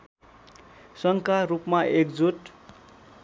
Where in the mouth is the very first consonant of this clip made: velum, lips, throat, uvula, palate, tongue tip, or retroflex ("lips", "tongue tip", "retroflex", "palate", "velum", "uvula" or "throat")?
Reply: tongue tip